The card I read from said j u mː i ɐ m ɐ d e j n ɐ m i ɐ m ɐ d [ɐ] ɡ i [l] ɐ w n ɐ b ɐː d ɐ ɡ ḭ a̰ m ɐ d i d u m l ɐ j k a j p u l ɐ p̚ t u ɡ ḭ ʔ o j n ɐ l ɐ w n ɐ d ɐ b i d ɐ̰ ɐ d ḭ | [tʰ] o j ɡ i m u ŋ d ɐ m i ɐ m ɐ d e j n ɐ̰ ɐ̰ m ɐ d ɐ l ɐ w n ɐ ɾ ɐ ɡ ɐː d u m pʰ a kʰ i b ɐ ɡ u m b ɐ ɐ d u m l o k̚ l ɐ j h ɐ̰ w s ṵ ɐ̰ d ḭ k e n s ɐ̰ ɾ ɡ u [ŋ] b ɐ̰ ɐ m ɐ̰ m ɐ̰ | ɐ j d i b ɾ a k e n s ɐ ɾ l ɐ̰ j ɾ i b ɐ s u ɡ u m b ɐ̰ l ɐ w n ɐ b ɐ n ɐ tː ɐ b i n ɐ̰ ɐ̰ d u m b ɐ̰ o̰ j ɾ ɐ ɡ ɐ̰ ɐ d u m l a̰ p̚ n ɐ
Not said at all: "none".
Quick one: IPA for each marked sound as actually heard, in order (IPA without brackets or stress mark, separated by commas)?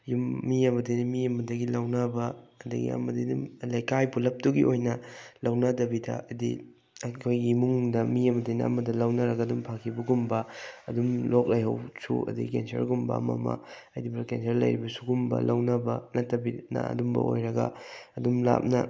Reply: ɐ, l, kʰ, m